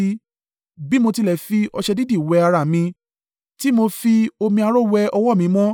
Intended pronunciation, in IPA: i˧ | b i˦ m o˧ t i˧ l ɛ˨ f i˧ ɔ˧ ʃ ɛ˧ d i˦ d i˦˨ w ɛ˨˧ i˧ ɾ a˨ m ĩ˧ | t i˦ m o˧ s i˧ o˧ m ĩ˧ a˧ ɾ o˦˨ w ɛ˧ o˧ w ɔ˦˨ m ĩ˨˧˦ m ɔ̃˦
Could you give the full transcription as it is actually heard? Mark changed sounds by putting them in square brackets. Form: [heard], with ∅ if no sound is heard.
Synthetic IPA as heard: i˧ | b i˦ m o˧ t i˧ l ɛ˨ f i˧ ɔ˧ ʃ ɛ˧ d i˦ d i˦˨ w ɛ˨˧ [a˧] ɾ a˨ m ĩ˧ | t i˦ m o˧ [f] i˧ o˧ m ĩ˧ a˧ ɾ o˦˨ w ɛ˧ [ɔ˧] w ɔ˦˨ m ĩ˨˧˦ m ɔ̃˦